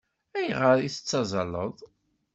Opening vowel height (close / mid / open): open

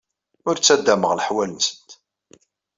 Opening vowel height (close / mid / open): close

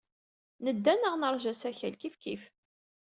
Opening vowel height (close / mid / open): mid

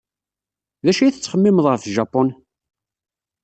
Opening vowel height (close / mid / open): open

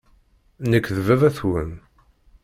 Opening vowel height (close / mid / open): mid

